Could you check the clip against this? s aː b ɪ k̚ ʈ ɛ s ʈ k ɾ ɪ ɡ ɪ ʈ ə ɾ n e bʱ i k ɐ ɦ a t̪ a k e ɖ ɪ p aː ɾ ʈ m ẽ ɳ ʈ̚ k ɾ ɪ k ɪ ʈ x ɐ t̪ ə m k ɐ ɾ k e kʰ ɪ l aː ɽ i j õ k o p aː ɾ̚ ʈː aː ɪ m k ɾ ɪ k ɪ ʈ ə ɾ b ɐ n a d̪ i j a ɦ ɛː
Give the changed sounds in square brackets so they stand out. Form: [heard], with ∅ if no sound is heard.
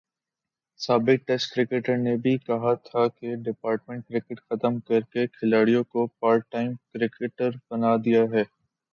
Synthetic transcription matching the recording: s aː b ɪ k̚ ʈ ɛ s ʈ k ɾ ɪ [k] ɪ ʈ ə ɾ n e bʱ i k ɐ ɦ a [t̪ʰ] a k e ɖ ɪ p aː ɾ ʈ m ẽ ɳ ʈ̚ k ɾ ɪ k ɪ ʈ x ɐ t̪ ə m k ɐ ɾ k e kʰ ɪ l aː ɽ i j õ k o p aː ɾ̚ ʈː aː ɪ m k ɾ ɪ k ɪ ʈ ə ɾ b ɐ n a d̪ i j a ɦ ɛː